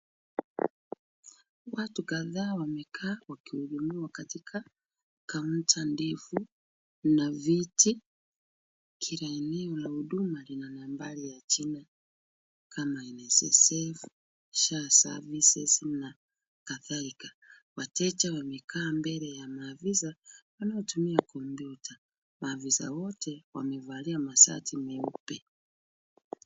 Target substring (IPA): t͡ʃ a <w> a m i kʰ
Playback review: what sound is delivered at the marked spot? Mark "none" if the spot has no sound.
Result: w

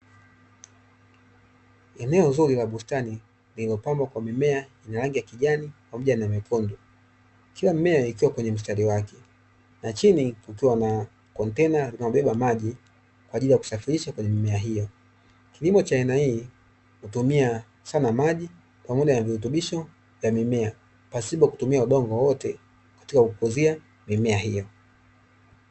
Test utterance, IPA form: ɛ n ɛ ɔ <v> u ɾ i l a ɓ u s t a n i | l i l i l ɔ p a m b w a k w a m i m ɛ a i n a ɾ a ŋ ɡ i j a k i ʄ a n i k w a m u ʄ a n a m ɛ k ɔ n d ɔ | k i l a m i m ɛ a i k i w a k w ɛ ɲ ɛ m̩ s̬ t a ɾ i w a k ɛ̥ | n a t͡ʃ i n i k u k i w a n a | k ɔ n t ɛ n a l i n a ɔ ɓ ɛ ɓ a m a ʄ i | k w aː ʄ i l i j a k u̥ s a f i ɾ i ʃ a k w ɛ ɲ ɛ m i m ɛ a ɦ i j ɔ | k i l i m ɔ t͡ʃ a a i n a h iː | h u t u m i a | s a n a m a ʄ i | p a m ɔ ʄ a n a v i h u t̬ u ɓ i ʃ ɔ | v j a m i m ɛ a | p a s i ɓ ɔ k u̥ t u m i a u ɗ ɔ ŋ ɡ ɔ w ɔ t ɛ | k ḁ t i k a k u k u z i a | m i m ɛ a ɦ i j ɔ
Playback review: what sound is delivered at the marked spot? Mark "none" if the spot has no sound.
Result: z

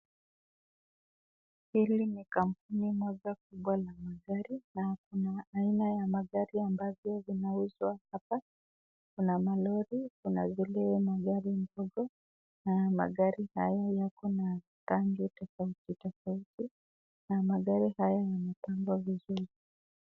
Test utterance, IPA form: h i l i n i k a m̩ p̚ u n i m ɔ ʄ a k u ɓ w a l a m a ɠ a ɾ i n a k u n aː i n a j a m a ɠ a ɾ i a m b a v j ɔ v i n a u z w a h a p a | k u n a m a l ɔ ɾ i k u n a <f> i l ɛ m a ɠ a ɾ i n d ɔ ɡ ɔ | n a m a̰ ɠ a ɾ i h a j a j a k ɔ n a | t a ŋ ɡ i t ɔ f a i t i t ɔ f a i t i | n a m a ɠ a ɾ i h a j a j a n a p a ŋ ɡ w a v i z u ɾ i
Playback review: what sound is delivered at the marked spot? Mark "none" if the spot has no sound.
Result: v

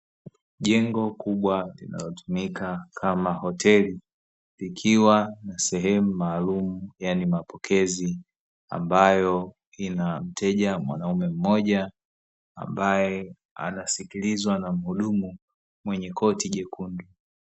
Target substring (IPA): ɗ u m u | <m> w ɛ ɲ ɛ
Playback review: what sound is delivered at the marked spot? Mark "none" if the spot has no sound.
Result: m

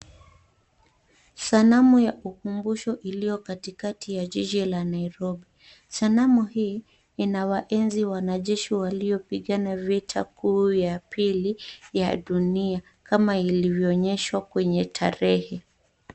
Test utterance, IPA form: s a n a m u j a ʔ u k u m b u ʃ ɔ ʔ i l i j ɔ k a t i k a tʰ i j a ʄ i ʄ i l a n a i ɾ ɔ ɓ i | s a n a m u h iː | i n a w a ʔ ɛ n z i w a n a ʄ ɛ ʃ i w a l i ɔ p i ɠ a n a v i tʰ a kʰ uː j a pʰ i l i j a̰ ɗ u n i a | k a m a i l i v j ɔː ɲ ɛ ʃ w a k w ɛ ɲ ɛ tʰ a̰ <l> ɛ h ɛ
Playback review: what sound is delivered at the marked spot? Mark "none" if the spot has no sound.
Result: ɾ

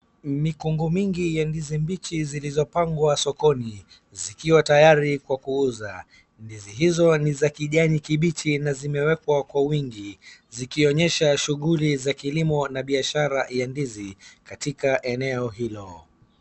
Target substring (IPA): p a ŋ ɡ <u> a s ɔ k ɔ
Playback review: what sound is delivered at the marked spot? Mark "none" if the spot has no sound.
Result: w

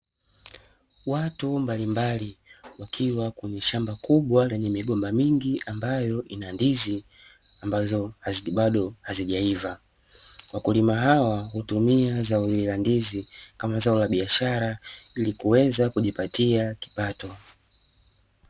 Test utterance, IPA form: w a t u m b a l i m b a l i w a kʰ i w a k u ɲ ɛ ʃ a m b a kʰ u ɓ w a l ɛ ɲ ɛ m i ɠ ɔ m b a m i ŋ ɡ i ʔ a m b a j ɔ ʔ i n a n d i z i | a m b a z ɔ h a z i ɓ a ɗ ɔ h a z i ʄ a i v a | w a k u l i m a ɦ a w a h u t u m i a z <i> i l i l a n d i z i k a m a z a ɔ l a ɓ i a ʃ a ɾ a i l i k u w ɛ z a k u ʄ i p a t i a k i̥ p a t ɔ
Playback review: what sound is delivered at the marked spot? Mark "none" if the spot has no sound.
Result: a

